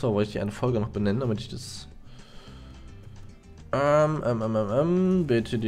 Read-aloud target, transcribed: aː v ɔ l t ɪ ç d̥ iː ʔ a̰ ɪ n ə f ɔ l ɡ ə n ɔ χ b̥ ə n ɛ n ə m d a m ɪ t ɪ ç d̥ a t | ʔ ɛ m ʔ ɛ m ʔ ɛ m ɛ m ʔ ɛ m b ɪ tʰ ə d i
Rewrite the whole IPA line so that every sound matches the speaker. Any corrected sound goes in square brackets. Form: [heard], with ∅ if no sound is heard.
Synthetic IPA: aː v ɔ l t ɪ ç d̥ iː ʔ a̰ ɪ n ə f ɔ l ɡ ə n ɔ χ b̥ ə n ɛ n ə [n] d a m ɪ t ɪ ç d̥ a [s] | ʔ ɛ m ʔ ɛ m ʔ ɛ m ɛ m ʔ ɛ m b ɪ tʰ ə d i